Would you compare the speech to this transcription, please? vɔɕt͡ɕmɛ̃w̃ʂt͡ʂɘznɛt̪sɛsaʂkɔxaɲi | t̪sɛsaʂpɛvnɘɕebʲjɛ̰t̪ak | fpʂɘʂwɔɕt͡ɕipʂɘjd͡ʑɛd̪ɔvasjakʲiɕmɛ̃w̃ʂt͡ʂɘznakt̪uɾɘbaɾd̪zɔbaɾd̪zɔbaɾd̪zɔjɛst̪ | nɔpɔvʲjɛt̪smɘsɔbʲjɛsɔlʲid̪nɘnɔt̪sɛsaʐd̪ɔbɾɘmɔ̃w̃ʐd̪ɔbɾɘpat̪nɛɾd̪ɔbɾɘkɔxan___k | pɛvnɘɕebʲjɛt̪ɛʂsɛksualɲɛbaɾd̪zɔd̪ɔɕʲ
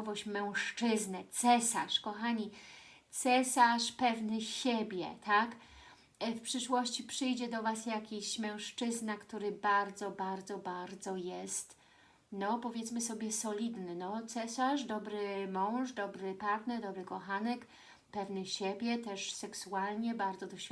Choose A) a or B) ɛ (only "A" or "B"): B